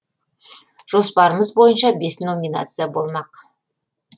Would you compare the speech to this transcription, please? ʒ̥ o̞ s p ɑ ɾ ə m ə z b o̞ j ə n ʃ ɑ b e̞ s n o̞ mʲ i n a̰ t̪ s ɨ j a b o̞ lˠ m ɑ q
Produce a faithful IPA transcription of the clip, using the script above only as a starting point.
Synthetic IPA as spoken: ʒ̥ o̞ s p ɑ ɾ ə m ə z b o̞ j ə n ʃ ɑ b e̞ s n o̞ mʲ i n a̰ t̪ s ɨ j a b o̞ lˠ m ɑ q